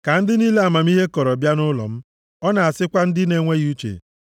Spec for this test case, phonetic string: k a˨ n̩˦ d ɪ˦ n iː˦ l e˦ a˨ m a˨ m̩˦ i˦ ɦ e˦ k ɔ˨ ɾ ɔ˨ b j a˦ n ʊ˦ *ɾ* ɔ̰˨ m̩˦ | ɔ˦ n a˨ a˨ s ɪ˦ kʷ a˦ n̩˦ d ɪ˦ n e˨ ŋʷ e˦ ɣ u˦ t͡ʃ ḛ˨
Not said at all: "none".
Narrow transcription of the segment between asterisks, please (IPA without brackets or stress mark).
l